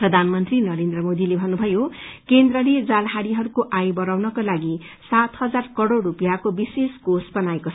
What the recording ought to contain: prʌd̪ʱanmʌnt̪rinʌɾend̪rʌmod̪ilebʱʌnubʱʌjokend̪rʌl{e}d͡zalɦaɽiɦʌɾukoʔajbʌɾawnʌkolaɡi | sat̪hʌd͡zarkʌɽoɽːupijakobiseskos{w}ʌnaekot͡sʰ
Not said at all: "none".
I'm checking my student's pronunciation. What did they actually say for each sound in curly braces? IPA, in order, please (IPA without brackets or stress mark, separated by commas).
e, b